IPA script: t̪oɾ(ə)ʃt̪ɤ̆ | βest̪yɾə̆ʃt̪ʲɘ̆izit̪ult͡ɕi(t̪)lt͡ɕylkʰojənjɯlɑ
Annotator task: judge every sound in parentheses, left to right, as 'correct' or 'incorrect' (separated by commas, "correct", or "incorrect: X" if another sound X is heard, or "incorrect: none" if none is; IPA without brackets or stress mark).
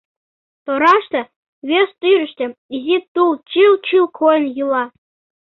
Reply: incorrect: ɑ, incorrect: none